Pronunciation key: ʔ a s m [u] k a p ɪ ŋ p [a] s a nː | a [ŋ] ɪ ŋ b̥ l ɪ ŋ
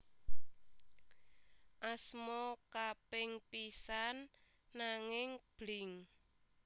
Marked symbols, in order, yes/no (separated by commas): no, no, yes